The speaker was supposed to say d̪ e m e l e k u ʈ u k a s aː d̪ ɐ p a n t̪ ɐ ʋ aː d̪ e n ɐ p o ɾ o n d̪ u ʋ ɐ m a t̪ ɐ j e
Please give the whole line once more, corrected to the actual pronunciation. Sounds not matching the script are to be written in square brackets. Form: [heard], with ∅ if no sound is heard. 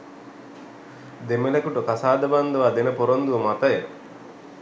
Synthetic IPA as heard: d̪ e m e l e k u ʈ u k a s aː d̪ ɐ [b] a n [d̪] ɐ ʋ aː d̪ e n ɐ p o ɾ o n d̪ u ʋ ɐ m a t̪ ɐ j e